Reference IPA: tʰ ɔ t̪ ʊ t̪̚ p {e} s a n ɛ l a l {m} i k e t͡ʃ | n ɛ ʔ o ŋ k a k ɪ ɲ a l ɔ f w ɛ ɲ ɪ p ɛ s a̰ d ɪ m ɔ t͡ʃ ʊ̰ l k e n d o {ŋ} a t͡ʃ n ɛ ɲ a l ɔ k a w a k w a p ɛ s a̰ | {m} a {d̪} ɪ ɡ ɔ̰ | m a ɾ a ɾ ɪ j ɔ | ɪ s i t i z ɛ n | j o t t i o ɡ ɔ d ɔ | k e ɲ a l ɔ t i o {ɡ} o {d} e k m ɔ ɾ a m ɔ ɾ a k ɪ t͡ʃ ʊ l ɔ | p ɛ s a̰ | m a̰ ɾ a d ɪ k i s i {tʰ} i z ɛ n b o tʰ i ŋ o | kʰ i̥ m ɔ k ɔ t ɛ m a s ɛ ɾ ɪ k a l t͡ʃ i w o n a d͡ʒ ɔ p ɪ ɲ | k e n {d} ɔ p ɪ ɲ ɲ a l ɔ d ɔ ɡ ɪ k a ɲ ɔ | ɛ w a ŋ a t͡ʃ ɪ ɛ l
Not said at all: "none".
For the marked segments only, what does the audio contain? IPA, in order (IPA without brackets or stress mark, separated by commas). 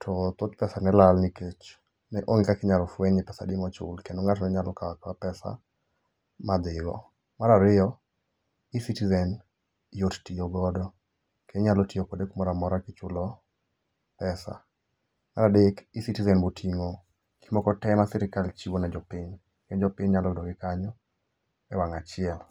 ɛ, n, ŋ, m, d̪, k, d, t, d͡ʒ